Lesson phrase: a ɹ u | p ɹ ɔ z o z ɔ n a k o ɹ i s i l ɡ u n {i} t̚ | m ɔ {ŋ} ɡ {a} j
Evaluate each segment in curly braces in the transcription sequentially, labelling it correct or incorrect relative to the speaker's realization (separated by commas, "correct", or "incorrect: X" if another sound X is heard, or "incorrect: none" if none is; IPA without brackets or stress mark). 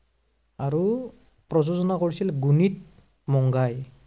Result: correct, correct, correct